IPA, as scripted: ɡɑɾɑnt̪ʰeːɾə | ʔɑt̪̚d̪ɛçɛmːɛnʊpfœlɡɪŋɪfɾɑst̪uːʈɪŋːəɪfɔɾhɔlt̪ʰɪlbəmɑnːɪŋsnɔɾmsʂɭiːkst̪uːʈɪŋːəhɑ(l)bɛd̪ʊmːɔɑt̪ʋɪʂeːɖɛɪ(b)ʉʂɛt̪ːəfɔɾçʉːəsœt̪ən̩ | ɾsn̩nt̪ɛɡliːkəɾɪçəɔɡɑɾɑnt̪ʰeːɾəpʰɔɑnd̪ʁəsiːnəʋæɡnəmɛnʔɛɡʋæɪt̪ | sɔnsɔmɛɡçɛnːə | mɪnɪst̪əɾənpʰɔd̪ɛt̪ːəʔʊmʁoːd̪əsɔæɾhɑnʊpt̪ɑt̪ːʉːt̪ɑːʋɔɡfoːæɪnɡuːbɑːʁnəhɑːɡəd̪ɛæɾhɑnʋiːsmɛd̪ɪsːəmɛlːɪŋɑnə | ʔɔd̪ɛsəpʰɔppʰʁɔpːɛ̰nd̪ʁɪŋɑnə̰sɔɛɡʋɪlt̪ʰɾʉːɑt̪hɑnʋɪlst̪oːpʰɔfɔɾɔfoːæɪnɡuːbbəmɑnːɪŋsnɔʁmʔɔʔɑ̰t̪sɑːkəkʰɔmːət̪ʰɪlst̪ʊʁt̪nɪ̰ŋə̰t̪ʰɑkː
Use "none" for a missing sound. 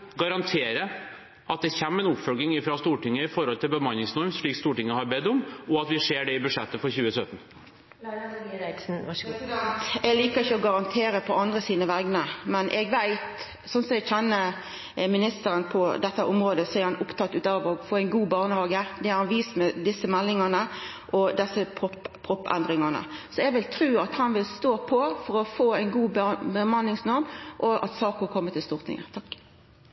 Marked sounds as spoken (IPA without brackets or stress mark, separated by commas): ɾ, b